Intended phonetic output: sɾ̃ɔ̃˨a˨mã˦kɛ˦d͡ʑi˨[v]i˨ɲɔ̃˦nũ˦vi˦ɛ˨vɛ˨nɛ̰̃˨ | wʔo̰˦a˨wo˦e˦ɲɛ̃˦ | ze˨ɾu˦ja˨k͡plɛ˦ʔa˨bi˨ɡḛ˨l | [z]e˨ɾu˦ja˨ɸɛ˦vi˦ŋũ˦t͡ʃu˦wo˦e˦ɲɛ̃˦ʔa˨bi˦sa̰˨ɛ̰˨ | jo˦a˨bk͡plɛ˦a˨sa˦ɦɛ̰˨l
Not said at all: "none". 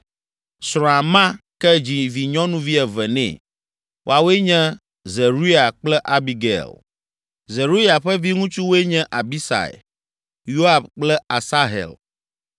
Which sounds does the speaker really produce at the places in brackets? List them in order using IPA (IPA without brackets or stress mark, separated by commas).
v, z